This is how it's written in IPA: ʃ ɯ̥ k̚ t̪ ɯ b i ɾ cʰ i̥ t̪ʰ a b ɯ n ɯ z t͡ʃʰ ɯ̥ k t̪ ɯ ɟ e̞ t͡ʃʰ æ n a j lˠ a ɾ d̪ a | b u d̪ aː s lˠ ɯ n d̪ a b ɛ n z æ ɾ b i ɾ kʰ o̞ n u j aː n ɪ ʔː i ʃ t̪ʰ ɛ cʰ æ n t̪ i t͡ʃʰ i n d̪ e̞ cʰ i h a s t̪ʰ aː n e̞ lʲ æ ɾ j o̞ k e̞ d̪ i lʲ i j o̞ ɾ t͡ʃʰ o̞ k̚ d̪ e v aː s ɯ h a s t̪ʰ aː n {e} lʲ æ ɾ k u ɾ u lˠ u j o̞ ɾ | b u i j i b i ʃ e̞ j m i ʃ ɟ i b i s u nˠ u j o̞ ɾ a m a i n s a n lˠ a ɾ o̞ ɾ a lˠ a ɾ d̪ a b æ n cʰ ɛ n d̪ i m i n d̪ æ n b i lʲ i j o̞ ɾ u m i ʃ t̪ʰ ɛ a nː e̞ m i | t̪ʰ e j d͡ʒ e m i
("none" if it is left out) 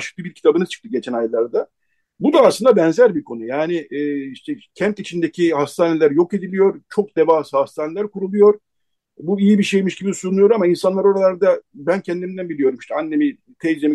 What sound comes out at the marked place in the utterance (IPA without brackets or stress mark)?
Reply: e